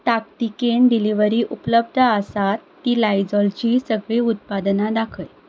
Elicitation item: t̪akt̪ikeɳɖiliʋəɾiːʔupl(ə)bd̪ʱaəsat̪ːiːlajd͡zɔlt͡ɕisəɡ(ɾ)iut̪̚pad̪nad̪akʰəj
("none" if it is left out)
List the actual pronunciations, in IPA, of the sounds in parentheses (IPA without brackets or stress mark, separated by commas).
ə, ɭ